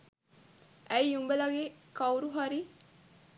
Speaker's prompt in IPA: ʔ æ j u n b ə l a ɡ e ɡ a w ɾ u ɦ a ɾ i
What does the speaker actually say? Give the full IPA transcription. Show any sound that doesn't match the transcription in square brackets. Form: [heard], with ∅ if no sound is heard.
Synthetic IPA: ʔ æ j u [m] b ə l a ɡ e [k] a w ɾ u ɦ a ɾ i

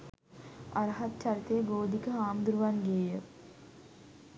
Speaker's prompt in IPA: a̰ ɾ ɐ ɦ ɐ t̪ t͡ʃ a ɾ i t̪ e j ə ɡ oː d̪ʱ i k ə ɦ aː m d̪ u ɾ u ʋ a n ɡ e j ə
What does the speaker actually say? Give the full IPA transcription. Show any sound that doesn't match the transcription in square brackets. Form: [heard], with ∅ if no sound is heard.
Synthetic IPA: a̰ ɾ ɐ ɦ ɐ t̪ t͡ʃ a ɾ i t̪ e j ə ɡ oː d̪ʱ i k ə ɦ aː m d̪ u ɾ u ʋ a n ɡ e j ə

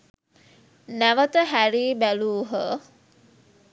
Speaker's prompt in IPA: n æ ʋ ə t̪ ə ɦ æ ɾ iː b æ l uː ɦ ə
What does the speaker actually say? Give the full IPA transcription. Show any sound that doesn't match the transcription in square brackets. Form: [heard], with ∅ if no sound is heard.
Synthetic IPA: n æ ʋ ə t̪ ə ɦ æ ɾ iː b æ l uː ɦ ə

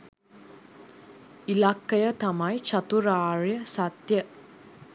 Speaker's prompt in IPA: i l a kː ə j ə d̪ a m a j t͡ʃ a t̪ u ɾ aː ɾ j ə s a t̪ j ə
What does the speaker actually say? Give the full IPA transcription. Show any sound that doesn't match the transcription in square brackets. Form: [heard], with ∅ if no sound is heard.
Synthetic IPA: i l a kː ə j ə [t̪] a m a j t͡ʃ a t̪ u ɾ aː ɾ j ə s a t̪ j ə

